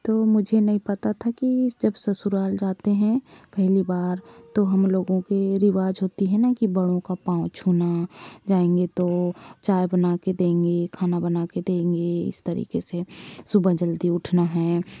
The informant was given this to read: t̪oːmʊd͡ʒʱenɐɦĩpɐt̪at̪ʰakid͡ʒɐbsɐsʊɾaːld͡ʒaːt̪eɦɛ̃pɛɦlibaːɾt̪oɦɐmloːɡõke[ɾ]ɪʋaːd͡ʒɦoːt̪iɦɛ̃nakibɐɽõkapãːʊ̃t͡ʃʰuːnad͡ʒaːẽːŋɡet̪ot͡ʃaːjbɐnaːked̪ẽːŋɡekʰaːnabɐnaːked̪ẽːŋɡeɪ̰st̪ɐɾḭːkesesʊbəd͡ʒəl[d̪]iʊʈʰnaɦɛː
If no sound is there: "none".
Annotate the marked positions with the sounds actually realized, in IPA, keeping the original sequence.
ɾ, d̪

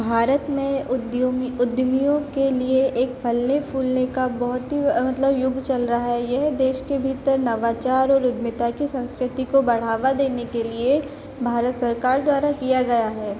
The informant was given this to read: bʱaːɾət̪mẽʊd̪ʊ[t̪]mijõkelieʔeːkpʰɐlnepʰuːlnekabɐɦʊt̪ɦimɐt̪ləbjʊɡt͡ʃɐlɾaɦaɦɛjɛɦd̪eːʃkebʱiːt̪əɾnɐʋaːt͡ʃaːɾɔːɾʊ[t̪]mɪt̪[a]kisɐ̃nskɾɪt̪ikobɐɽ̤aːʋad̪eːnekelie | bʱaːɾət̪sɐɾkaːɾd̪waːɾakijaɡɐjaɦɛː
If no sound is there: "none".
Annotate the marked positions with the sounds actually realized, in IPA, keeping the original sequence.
d̪, d̪, a

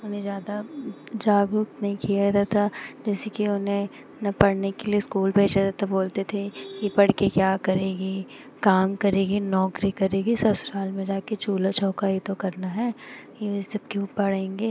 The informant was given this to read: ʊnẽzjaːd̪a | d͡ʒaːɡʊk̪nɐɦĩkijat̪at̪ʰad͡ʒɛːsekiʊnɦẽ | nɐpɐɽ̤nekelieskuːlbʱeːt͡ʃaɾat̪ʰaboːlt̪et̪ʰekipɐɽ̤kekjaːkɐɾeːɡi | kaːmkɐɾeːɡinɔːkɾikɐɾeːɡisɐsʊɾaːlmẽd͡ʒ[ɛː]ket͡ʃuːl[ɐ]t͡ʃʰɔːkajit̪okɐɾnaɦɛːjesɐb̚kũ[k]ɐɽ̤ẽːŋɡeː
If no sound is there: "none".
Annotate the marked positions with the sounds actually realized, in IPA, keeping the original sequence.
aː, a, p

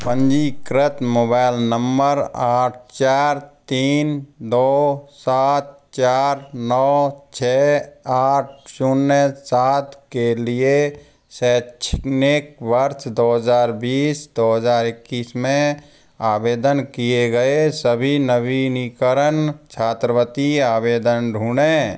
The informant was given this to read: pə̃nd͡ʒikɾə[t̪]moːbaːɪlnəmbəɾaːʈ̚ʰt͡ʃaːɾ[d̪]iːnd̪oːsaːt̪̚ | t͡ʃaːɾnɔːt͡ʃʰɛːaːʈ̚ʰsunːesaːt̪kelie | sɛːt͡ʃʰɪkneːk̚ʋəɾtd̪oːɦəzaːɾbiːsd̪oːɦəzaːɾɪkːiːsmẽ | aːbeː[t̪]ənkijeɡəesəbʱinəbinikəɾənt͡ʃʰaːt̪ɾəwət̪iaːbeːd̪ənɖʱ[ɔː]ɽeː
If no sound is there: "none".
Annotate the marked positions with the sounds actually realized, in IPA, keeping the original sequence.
t̪, t̪, d̪, uː

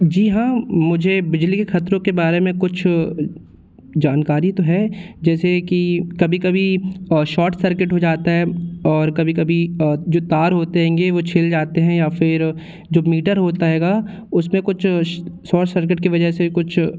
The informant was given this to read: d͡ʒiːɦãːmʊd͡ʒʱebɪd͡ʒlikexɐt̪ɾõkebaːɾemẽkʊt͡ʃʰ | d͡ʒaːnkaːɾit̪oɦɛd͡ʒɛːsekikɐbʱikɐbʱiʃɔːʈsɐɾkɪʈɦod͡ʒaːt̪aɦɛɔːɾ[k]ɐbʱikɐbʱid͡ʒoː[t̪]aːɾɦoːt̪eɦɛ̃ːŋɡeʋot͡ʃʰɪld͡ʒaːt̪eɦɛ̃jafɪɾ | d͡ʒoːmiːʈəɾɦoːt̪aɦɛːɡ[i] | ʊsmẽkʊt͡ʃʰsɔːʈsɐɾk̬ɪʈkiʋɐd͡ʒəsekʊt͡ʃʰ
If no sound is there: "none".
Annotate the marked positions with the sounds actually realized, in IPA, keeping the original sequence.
k, t̪, a

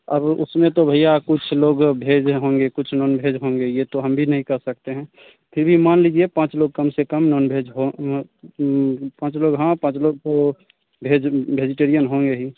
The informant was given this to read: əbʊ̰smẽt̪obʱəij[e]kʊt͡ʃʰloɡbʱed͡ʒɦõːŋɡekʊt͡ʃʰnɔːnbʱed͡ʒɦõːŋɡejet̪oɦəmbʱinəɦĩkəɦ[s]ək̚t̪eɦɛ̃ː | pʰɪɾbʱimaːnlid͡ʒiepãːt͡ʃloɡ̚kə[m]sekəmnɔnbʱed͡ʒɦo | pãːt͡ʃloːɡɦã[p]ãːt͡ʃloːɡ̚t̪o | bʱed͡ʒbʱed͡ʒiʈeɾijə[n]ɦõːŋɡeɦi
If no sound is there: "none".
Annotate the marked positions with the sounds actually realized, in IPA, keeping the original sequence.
a, s, m, p, n

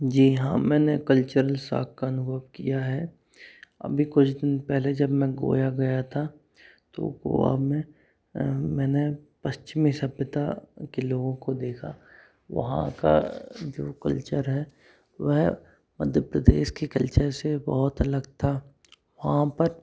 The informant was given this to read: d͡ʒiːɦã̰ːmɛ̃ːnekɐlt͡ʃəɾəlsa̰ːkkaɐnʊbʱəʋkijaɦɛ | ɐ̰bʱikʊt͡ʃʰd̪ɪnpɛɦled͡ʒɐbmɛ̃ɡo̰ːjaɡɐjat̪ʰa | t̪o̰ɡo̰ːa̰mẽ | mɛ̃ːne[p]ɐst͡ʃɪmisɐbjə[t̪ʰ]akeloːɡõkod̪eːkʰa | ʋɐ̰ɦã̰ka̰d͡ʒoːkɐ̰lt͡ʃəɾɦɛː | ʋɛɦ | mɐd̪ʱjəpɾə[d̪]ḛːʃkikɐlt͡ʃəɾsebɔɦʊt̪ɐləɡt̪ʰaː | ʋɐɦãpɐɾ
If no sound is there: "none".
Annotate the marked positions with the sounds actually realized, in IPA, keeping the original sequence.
p, t̪, d̪

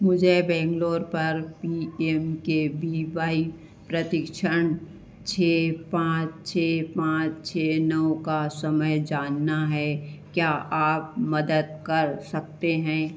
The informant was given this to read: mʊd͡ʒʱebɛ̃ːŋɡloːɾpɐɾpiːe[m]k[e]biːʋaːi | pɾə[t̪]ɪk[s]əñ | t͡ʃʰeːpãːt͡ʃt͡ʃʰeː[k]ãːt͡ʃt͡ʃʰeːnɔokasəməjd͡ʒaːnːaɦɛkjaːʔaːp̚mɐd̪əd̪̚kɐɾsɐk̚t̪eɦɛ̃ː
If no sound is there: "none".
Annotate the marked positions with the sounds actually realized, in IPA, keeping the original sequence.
m, e, t̪, ʃ, p

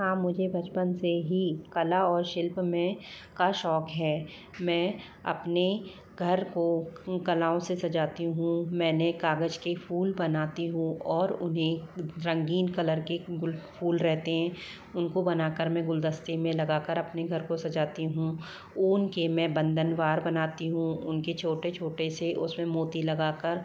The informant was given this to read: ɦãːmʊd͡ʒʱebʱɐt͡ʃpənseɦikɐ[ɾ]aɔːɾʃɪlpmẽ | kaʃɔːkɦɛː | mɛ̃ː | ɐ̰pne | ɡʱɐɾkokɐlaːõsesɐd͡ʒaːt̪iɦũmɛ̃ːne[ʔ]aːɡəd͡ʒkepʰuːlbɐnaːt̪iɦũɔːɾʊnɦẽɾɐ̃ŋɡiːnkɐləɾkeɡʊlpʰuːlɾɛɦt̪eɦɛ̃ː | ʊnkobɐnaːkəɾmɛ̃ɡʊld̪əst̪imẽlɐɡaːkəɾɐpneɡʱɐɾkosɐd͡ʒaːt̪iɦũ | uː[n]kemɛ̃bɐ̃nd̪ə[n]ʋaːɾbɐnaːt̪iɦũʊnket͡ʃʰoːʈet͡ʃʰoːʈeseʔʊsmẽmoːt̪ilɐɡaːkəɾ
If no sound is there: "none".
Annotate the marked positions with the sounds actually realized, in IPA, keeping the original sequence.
l, k, n, n

